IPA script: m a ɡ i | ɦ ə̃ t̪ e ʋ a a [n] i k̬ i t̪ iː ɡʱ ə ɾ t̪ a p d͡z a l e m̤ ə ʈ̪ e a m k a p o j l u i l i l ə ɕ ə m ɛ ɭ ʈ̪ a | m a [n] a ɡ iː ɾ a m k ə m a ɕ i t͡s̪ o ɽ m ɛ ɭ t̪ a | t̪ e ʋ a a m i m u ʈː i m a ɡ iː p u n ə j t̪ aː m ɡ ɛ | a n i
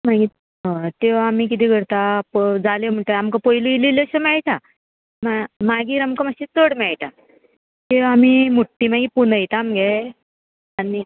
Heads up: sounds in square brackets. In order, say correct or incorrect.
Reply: incorrect, incorrect

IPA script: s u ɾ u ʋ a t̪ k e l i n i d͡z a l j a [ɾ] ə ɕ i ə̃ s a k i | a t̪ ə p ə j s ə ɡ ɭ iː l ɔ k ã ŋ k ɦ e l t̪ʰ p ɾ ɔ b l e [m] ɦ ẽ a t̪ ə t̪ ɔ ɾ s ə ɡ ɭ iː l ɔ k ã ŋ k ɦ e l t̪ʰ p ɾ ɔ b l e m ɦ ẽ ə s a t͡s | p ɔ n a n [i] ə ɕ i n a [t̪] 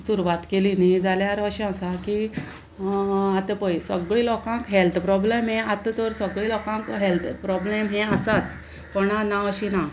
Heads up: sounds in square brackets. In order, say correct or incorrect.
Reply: correct, correct, incorrect, incorrect

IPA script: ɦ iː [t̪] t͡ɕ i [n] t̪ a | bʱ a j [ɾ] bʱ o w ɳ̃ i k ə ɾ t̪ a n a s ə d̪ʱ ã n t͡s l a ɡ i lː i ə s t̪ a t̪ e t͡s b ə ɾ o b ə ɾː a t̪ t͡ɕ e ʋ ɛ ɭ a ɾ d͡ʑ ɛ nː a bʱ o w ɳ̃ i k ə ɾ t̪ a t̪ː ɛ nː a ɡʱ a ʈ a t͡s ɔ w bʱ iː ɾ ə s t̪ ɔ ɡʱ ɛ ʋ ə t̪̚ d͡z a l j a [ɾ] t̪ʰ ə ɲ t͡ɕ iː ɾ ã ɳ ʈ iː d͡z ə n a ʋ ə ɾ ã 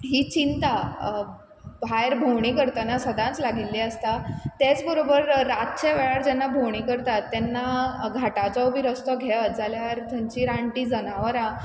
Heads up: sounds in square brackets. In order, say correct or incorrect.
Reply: incorrect, correct, correct, correct

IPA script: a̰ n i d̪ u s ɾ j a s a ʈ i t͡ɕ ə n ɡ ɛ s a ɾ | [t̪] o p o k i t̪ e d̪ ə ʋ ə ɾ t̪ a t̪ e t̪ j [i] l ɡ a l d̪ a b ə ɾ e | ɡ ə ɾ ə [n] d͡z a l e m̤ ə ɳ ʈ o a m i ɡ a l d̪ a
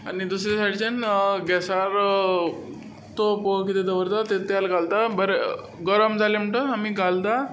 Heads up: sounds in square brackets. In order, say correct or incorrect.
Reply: correct, incorrect, incorrect

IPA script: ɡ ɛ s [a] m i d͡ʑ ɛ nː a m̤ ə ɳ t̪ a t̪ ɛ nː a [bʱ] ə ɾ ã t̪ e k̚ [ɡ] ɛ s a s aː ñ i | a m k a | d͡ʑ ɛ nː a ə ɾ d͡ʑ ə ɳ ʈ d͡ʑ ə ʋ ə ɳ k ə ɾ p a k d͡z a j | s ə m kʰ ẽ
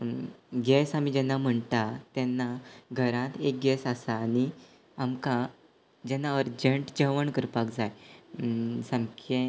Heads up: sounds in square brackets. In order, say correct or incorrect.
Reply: correct, incorrect, correct

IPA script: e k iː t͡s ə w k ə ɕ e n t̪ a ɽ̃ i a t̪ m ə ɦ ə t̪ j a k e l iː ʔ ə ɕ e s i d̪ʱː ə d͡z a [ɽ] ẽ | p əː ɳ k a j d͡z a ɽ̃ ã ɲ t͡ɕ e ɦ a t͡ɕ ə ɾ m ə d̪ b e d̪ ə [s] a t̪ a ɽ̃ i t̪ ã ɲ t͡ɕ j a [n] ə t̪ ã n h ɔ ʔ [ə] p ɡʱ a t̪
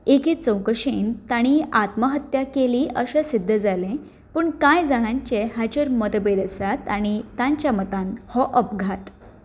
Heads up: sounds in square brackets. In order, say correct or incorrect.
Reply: incorrect, correct, incorrect, correct

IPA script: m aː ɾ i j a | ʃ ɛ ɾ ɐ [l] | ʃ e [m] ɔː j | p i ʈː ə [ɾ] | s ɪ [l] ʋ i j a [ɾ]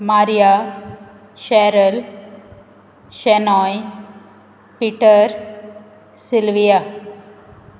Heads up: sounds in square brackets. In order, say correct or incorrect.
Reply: correct, incorrect, correct, correct, incorrect

